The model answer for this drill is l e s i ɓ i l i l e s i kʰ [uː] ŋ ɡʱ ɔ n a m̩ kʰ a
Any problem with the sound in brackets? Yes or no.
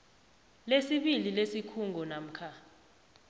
yes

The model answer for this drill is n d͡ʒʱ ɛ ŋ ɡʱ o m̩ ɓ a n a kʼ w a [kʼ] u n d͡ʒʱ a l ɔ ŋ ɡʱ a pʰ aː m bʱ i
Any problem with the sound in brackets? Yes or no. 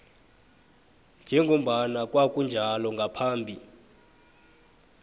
no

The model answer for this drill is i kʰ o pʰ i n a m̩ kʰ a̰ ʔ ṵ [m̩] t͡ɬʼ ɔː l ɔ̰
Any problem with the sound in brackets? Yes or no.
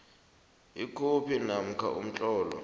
no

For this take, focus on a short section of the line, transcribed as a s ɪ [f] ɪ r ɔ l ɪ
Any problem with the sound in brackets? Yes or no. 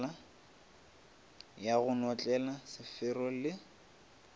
no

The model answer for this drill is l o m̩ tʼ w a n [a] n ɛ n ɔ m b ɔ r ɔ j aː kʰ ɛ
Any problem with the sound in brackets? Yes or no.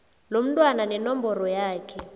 no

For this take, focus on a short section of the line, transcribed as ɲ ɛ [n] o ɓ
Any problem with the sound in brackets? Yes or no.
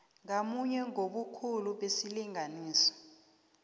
yes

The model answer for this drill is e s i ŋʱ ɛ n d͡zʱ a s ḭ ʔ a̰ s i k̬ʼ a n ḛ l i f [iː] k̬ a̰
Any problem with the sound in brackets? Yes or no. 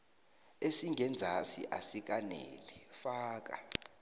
yes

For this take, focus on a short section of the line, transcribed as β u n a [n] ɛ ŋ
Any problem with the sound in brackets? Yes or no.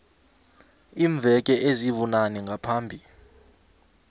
no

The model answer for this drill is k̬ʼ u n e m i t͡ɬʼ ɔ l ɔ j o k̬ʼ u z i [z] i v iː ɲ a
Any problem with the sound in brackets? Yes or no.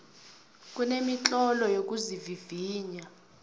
yes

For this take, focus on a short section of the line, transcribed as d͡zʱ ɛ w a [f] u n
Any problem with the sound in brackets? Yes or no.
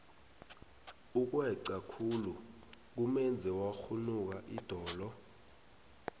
yes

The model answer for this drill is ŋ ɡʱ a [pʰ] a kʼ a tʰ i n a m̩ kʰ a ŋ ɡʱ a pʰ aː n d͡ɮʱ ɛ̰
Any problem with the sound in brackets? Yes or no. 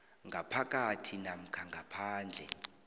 no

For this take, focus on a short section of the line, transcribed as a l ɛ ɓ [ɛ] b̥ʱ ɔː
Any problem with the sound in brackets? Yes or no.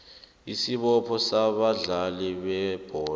no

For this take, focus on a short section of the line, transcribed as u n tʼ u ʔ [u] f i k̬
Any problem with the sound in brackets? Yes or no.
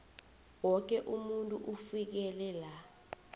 no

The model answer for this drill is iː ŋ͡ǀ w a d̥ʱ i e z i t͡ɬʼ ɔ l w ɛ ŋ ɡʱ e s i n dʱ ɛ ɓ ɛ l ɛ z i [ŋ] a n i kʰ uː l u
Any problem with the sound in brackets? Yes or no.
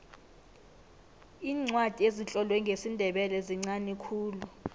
yes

